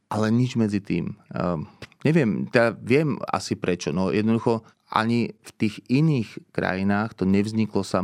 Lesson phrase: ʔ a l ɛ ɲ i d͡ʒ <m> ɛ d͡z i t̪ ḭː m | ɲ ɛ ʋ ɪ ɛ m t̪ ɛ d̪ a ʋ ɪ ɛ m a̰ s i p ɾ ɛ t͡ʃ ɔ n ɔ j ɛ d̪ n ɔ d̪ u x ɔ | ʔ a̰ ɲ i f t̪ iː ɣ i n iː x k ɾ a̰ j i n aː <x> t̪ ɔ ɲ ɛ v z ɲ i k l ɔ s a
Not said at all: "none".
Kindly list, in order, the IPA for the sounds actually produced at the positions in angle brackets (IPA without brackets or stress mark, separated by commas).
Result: m, x